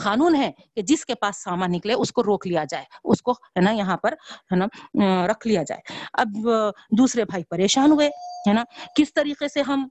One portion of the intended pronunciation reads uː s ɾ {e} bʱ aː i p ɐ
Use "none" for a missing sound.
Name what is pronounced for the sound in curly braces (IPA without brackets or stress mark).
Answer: e